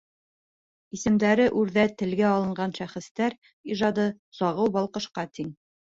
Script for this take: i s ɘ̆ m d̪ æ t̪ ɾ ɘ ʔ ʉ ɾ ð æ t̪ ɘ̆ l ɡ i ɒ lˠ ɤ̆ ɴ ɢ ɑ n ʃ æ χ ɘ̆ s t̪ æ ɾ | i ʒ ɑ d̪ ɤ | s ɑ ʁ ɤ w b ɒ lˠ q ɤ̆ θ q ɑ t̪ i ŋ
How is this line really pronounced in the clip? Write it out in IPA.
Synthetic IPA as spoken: i s ɘ̆ m d̪ æ ɾ ɘ ʔ ʉ ɾ ð æ t̪ ɘ̆ l ɡ æ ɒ lˠ ɤ̆ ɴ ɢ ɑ n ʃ æ χ ɘ̆ s t̪ æ ɾ | i ʒ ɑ d̪ ɤ | s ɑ ʁ ɤ w b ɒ lˠ q ɤ̆ ʃ q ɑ t̪ i ŋ